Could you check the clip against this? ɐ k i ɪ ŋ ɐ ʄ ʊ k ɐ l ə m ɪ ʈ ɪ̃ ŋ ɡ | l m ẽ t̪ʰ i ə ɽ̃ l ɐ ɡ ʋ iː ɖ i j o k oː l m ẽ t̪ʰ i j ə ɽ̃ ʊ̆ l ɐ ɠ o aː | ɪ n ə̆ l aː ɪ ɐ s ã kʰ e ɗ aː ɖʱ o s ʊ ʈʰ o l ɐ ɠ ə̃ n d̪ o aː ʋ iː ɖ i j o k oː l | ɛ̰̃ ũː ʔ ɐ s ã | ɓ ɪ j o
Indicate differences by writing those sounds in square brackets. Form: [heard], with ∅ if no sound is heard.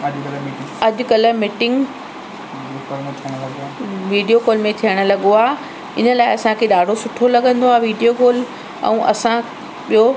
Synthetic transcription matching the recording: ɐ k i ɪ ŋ ɐ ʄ ʊ k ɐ l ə m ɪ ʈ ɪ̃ ŋ ɡ | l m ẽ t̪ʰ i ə ɽ̃ l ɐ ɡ ʋ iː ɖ i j o k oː l m ẽ t̪ʰ i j ə ɽ̃ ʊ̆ l ɐ ɠ o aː | ɪ n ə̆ l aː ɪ ɐ s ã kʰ e ɗ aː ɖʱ o s ʊ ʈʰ o l ɐ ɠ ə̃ n d̪ o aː ʋ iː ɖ i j o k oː l | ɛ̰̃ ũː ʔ ɐ s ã | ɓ [i] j o